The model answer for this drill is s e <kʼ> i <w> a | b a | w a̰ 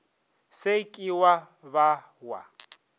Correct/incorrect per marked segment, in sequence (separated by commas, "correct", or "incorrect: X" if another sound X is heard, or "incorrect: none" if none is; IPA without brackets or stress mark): correct, correct